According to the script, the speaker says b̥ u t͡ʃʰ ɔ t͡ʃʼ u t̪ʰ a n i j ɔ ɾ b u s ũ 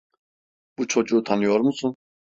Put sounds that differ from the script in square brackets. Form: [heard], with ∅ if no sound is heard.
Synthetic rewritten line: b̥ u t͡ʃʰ ɔ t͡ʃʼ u t̪ʰ a n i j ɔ ɾ [m] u s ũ

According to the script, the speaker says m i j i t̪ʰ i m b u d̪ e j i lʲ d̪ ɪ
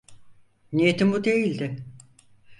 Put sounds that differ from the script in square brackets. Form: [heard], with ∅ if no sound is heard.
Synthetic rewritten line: [n] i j [e] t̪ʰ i m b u d̪ e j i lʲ d̪ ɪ

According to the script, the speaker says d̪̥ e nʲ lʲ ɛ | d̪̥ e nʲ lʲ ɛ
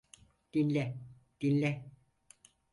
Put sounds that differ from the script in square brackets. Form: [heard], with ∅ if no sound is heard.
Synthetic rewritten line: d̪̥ [i] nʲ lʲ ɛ | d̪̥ [i] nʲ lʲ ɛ

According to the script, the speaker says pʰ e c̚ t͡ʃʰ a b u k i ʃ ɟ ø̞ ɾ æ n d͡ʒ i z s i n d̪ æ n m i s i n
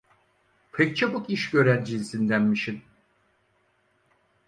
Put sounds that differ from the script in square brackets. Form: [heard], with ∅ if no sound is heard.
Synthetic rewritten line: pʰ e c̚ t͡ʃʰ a b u k i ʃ ɟ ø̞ ɾ æ n d͡ʒ i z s i n d̪ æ n m i [ʃ] i n

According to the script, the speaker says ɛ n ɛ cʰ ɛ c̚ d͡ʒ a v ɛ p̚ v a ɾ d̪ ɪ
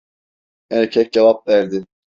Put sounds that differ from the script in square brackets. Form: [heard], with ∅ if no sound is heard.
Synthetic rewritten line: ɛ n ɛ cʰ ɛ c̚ d͡ʒ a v [a] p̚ v [æ] ɾ d̪ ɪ

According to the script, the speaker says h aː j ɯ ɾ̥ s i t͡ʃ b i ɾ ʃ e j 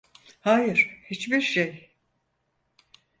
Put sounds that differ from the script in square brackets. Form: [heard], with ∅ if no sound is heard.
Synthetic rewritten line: h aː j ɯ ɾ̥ [h] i t͡ʃ b i ɾ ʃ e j

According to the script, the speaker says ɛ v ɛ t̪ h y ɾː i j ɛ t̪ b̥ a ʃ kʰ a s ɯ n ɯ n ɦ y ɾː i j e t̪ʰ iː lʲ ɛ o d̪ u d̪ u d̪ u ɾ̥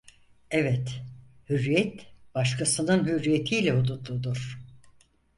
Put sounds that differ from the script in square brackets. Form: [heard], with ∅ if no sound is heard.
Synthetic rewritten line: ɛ v ɛ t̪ h y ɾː i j ɛ t̪ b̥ a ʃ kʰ a s ɯ n ɯ n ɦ y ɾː i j e t̪ʰ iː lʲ ɛ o d̪ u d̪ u d̪ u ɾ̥

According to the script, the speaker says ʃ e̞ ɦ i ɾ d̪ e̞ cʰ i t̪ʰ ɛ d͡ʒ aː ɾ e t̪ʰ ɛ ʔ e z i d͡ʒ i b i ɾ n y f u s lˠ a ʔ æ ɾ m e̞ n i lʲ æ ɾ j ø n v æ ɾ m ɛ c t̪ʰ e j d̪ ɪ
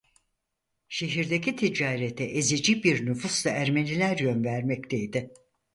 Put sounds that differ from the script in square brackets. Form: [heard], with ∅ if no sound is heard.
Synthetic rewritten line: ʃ e̞ ɦ i ɾ d̪ e̞ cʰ i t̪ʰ [i] d͡ʒ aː ɾ e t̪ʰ ɛ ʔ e z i d͡ʒ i b i ɾ n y f u s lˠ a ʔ æ ɾ m e̞ n i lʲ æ ɾ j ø n v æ ɾ m ɛ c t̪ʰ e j d̪ ɪ

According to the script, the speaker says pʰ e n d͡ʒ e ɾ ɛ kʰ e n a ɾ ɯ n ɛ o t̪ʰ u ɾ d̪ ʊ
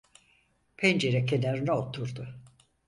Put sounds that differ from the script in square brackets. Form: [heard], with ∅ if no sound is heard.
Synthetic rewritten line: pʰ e n d͡ʒ e ɾ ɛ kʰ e n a ɾ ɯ n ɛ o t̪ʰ u ɾ d̪ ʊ

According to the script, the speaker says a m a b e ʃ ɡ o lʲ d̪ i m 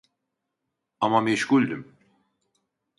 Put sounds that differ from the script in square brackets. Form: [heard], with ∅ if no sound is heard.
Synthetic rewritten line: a m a [m] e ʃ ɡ [u] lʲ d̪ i m

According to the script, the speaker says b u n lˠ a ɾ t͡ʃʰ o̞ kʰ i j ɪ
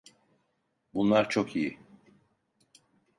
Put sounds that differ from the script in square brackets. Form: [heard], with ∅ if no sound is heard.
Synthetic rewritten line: b u n lˠ a ɾ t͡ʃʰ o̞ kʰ i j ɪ

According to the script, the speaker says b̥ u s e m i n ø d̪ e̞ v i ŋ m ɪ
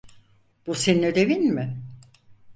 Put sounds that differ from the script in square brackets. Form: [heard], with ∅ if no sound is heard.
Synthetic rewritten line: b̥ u s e [n] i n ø d̪ e̞ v i [n] m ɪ

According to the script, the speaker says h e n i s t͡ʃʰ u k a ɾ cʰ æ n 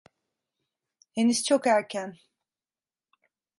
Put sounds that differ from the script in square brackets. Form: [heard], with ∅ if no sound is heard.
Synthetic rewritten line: h e n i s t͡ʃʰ [o] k [æ] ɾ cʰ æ n

